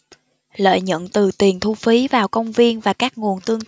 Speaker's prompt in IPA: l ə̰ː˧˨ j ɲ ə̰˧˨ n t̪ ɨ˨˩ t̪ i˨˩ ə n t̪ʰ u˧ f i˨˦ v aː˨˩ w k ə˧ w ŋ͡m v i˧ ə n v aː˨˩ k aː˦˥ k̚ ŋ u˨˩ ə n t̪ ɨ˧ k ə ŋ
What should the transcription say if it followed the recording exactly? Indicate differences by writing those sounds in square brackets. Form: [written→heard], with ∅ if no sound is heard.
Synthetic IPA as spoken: l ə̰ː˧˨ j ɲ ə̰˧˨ n t̪ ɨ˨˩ t̪ i˨˩ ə n t̪ʰ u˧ f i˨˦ v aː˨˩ w k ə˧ w ŋ͡m v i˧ ə n v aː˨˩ k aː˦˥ k̚ ŋ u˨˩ ə n t̪ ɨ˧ [k→∅] ə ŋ